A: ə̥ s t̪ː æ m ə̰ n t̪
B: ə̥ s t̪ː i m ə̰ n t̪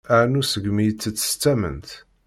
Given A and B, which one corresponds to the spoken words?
A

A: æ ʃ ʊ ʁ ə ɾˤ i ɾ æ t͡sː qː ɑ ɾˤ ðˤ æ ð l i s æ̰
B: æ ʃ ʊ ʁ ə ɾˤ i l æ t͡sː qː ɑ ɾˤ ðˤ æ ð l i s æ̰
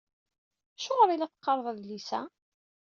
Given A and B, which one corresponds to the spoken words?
B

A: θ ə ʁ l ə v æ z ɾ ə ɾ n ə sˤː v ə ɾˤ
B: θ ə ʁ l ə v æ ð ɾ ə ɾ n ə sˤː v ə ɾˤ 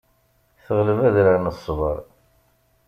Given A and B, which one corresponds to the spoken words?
B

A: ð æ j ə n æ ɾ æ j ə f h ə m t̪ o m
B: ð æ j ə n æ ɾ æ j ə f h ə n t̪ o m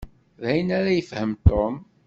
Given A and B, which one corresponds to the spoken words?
A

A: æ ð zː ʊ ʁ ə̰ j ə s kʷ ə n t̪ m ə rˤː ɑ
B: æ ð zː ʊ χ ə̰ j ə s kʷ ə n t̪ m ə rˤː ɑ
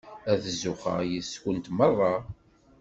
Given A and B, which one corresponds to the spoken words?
B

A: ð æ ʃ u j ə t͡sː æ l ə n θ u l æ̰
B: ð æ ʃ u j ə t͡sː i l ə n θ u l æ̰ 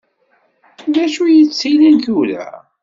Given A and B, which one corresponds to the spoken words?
B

